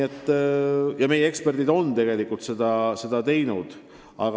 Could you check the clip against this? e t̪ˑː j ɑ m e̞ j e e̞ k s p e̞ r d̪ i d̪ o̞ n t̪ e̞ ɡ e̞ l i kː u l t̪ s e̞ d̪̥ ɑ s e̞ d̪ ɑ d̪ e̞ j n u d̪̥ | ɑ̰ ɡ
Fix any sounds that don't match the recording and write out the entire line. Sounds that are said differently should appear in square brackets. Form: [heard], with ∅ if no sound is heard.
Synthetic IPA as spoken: e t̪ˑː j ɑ m e̞ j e e̞ k s p e̞ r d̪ i d̪ o̞ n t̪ e̞ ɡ e̞ l i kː u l t̪ s e̞ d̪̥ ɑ s e̞ d̪ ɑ [t̪] e̞ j n u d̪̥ | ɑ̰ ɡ